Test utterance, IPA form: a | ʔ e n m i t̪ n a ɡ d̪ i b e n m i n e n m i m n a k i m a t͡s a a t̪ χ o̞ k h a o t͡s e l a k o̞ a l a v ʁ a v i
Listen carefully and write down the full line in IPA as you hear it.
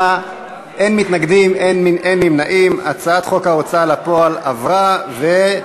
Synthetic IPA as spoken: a | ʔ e n m i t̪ n a ɡ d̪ i m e n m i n e n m i m n a ʔ i m a t͡s a a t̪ χ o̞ k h a o t͡s a l a p o̞ a l a v ʁ a v e